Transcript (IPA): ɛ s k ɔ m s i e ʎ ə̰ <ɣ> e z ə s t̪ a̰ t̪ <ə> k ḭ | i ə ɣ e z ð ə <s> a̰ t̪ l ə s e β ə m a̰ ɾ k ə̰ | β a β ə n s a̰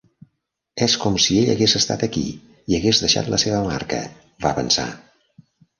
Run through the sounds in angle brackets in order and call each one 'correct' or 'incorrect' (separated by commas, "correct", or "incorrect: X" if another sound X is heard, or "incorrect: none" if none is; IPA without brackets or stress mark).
correct, correct, incorrect: ʃ